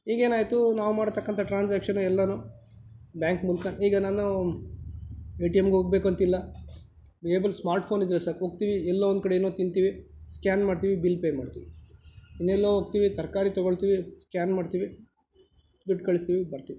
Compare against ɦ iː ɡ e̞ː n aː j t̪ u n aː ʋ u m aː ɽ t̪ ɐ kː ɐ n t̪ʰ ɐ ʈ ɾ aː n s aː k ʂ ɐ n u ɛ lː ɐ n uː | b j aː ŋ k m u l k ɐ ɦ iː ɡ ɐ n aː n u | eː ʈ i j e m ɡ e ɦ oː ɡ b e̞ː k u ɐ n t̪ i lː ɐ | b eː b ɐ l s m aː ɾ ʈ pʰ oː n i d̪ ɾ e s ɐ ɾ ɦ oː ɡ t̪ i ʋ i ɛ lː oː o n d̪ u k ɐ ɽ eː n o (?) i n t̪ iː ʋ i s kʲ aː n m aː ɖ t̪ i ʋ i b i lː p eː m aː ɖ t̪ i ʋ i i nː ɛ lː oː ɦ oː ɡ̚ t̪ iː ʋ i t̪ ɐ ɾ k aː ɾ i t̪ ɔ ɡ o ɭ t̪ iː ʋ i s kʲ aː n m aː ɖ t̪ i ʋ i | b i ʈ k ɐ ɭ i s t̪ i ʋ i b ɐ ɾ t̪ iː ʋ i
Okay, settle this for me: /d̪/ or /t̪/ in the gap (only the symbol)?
t̪